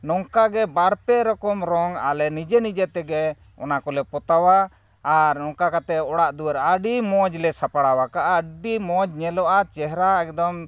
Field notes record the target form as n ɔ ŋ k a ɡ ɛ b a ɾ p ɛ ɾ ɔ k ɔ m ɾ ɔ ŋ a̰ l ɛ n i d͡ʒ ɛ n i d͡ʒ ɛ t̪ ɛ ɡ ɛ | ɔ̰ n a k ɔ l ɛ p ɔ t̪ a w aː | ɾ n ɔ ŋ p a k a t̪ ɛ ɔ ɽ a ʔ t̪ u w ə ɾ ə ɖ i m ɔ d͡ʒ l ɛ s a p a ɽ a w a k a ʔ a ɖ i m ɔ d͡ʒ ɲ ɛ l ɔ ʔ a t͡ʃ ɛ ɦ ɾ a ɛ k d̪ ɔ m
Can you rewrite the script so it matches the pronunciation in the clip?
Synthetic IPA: n ɔ ŋ k a ɡ ɛ b a ɾ p ɛ ɾ ɔ k ɔ m ɾ ɔ ŋ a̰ l ɛ n i d͡ʒ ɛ n i d͡ʒ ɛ t̪ ɛ ɡ ɛ | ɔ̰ n a k ɔ l ɛ p ɔ t̪ a w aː | ɾ n ɔ ŋ k a k a t̪ ɛ ɔ ɽ a ʔ d̪ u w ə ɾ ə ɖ i m ɔ d͡ʒ l ɛ s a p a ɽ a w a k a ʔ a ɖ i m ɔ d͡ʒ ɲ ɛ l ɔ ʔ a t͡ʃ ɛ ɦ ɾ a ɛ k d̪ ɔ m